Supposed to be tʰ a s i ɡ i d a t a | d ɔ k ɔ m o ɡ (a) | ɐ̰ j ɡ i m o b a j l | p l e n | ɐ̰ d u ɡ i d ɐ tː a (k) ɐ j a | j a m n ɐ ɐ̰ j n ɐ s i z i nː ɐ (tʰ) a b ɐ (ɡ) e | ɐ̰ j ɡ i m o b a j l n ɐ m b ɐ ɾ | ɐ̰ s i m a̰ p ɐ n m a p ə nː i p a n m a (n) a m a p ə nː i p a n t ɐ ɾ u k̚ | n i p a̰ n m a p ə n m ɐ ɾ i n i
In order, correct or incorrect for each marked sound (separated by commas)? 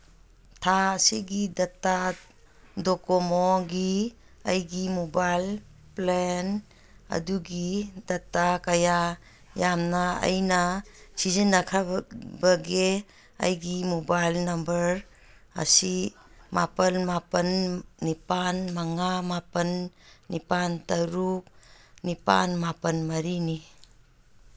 incorrect, correct, incorrect, correct, incorrect